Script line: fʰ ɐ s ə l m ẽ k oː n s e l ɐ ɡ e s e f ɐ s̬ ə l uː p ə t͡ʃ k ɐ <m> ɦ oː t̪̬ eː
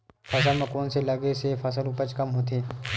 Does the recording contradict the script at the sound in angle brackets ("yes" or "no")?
no